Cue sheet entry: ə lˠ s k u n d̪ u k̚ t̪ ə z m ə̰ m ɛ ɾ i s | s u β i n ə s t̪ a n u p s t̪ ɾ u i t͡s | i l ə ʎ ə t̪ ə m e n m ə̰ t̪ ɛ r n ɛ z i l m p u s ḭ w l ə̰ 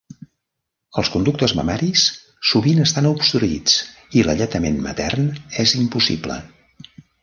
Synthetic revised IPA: ə lˠ s k u n d̪ u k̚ t̪ ə z m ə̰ m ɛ ɾ i s | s u β i n ə s t̪ a n u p s t̪ ɾ u i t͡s | i l ə ʎ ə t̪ ə m e n m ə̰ t̪ ɛ r n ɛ z i m p u s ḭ b l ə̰